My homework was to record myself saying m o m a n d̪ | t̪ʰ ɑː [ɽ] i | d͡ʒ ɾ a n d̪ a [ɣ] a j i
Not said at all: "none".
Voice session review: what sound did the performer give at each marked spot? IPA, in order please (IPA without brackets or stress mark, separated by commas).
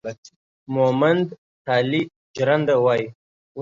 l, w